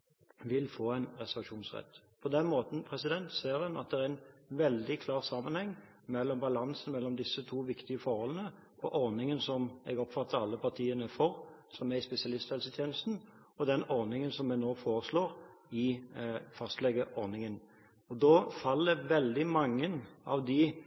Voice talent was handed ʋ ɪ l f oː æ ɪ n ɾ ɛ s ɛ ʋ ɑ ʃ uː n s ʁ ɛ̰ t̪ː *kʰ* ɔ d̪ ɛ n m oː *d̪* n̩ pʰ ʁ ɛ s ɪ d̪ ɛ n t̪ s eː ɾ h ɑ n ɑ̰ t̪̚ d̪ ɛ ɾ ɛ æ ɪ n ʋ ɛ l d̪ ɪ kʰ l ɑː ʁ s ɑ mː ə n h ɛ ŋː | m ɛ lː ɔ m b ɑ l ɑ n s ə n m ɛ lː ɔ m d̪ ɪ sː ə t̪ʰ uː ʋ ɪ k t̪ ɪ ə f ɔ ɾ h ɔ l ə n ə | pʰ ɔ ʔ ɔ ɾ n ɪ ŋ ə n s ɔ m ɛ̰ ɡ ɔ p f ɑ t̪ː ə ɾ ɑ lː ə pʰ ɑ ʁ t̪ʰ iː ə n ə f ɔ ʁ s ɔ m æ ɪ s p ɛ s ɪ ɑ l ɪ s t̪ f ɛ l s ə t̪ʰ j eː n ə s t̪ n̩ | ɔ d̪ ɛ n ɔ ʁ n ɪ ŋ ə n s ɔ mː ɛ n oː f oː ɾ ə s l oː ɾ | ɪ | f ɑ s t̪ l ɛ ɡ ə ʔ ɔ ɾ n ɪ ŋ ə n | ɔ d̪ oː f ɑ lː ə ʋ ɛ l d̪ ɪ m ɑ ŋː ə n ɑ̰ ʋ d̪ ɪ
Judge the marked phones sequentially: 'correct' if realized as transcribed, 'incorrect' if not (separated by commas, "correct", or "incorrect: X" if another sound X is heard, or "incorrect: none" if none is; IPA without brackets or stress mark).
incorrect: pʰ, incorrect: t̪